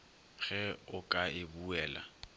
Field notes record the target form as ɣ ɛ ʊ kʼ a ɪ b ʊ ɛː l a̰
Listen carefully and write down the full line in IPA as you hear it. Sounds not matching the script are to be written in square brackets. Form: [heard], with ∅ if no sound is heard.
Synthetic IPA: ɣ ɛ ʊ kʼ a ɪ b [u] ɛː l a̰